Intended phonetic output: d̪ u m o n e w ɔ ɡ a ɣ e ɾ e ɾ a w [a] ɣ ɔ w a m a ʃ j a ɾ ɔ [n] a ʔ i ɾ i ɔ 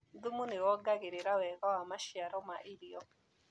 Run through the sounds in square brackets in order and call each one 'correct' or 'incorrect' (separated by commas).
incorrect, incorrect